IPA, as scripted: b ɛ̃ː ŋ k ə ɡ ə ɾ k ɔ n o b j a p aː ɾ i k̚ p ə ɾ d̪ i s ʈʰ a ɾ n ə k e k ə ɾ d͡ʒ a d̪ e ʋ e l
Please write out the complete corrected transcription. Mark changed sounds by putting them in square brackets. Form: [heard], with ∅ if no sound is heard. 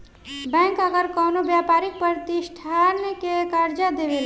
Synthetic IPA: b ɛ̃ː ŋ k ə ɡ ə ɾ k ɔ n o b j a p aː ɾ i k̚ p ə ɾ [t̪] i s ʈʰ a ɾ n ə k e k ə ɾ d͡ʒ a d̪ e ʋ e l